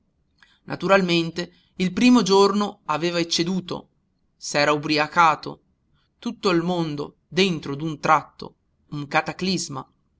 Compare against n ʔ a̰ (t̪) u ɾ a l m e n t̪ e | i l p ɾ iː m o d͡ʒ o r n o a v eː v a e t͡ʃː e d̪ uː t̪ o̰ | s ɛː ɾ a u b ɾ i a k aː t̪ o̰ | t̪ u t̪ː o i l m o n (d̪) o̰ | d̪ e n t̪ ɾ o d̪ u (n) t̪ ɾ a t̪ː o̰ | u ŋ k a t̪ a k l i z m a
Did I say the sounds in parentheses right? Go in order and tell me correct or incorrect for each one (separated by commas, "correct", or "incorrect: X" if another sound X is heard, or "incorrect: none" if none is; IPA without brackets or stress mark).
correct, correct, correct